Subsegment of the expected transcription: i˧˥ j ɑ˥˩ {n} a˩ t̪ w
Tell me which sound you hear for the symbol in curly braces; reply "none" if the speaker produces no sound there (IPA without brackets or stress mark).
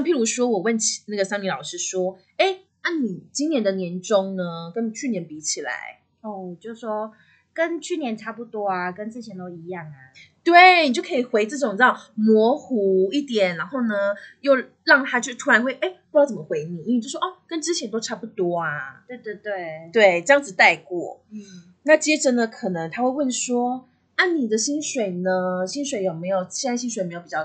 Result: ŋ